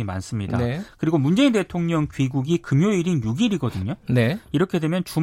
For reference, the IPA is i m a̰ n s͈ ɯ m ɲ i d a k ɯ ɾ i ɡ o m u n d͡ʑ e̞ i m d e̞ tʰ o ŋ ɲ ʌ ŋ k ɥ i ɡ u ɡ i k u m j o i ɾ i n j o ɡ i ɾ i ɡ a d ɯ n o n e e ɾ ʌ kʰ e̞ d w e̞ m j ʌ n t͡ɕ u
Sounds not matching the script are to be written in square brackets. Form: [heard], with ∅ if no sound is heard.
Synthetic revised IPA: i m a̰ n s͈ ɯ m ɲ i d a k ɯ ɾ i ɡ o m u n d͡ʑ e̞ i [n] d e̞ tʰ o ŋ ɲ ʌ ŋ k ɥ i ɡ u ɡ i k [ɯ] m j o i ɾ i n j [u] ɡ i ɾ i ɡ [ʌ] d ɯ [ɲ] o n e [i] ɾ ʌ kʰ e̞ d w e̞ m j ʌ n t͡ɕ u